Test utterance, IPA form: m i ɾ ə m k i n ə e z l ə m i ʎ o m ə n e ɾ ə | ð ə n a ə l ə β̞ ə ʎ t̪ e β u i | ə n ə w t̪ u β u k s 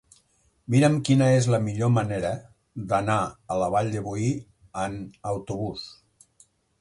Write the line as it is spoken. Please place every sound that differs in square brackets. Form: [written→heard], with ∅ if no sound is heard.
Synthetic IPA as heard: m i ɾ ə m k i n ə e z l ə m i ʎ o m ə n e ɾ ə | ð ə n a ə l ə β̞ [ə→a] ʎ [t̪→d̪] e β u i | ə n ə w t̪ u β u [k→∅] s